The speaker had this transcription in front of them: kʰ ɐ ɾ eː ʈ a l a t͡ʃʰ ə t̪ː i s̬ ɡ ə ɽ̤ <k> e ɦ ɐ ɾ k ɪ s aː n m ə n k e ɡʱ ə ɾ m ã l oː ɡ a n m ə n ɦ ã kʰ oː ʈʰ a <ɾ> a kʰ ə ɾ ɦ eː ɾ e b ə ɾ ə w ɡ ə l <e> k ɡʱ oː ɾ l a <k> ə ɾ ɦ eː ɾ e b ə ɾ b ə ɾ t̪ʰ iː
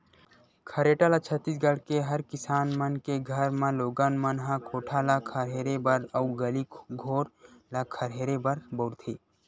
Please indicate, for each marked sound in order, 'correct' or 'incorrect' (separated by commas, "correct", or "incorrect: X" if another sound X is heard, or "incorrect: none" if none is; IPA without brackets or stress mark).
correct, incorrect: l, incorrect: i, incorrect: kʰ